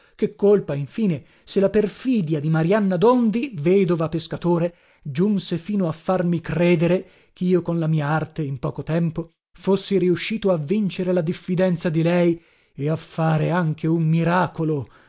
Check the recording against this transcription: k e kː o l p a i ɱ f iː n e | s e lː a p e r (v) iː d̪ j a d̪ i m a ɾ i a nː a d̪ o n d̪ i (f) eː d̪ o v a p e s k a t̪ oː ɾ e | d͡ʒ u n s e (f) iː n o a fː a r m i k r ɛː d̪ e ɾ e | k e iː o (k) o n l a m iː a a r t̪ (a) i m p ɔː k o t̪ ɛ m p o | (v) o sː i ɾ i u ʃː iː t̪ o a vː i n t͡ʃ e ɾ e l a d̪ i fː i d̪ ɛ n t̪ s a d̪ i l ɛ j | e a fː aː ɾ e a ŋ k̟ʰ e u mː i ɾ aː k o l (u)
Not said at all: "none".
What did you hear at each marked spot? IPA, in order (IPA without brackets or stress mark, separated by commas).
f, v, f, k, e, f, o